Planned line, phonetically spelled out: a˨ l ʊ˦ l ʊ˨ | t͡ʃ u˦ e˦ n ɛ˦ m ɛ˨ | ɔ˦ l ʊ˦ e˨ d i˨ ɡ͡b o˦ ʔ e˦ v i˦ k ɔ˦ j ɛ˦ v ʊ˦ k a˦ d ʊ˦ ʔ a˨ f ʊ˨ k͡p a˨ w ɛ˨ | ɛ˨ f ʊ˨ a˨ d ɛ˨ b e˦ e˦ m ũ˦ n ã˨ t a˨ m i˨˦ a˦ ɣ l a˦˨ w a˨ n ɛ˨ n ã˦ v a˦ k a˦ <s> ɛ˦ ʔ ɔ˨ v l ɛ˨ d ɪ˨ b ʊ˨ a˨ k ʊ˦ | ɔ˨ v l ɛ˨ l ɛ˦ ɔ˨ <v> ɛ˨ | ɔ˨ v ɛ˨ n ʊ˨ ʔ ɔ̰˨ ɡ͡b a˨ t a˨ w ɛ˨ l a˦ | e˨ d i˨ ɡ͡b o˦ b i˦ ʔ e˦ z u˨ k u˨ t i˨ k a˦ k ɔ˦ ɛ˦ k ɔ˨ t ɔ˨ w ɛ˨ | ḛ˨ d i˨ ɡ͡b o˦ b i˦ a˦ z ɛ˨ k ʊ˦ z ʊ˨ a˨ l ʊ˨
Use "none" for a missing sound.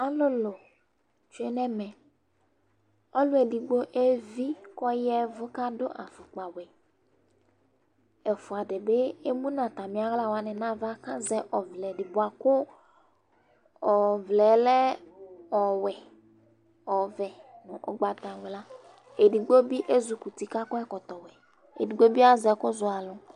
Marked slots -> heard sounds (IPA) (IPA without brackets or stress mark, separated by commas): z, w